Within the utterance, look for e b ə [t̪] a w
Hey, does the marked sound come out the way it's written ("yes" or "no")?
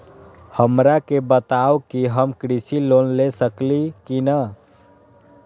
yes